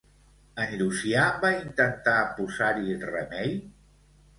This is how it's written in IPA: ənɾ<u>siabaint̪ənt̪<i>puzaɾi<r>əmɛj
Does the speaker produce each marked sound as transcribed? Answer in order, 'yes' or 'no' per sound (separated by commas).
yes, no, yes